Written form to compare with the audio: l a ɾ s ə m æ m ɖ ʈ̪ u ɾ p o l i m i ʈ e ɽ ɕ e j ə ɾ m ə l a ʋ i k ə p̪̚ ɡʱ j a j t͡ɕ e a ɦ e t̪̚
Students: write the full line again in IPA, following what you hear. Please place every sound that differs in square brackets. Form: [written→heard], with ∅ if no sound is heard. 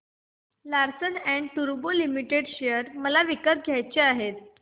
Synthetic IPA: l a ɾ s ə [m→n] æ [m→ɳ] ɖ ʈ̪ u ɾ [p→b] o l i m i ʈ e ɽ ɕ e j ə ɾ m ə l a ʋ i k ə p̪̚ ɡʱ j a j t͡ɕ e a ɦ e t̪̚